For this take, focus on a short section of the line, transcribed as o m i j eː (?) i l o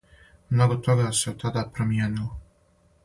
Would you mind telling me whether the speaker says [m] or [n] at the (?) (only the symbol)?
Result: n